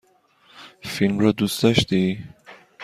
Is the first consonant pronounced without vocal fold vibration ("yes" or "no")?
yes